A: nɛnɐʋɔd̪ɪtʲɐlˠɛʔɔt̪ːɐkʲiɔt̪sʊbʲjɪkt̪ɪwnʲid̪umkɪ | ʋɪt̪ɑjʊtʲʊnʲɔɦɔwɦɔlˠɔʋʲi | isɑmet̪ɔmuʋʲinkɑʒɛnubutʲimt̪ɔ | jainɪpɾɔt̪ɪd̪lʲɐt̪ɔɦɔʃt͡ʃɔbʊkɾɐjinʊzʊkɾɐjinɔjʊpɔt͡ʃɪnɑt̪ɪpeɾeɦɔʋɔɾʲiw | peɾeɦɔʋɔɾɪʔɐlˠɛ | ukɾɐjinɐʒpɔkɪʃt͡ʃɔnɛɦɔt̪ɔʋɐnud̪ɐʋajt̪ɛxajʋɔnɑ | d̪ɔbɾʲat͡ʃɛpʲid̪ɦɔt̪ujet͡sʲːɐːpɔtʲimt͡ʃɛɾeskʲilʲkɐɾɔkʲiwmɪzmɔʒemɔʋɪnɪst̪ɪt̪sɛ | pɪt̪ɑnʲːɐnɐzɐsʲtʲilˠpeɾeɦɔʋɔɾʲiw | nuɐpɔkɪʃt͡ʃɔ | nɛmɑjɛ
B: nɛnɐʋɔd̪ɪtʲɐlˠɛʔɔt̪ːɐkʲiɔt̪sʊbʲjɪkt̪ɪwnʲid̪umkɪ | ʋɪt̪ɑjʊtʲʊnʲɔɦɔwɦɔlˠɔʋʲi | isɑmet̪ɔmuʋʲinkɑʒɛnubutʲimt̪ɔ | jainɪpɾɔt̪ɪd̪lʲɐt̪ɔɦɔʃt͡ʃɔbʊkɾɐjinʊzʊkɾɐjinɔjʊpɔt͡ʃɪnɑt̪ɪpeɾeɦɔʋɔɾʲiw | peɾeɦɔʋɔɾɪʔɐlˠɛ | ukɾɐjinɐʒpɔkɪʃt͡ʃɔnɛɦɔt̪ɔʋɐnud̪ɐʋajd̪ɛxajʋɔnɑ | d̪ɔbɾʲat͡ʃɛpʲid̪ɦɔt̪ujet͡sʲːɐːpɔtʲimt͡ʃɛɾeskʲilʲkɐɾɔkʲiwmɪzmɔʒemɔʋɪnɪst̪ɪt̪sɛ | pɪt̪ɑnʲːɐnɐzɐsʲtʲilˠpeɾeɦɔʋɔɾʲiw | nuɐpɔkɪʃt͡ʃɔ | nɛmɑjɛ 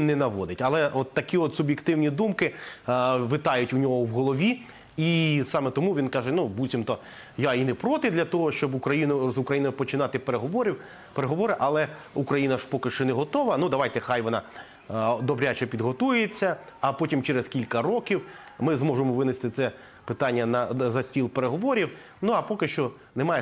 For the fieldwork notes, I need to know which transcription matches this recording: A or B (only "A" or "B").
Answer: A